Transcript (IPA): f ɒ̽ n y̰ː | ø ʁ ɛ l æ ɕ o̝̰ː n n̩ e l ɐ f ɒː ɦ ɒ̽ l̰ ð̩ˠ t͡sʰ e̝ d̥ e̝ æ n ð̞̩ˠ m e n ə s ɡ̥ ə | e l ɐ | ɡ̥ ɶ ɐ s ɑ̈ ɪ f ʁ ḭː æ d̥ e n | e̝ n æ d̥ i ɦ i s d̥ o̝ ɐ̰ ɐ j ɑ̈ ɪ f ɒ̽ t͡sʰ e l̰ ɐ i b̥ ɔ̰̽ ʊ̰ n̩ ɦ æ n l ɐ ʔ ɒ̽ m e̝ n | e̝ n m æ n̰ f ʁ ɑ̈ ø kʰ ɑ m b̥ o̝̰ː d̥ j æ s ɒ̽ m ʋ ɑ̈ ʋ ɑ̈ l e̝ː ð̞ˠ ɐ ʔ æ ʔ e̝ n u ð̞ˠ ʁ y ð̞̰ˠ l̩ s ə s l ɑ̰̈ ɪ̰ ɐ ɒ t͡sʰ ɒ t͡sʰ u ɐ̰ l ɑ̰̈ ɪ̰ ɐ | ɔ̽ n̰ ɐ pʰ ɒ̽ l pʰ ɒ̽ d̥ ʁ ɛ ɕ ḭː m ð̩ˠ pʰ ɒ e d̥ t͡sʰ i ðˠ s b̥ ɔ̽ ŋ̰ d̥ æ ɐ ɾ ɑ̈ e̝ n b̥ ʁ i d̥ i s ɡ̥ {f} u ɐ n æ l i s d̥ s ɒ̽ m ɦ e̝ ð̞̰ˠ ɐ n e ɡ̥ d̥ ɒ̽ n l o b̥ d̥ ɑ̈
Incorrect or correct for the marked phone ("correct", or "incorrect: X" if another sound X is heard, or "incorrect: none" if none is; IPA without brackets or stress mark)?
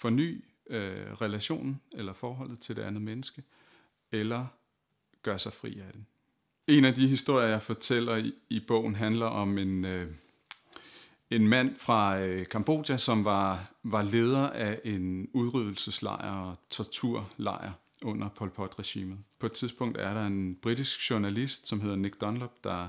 incorrect: ɕ